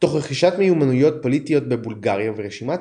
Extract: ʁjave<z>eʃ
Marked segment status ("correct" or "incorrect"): incorrect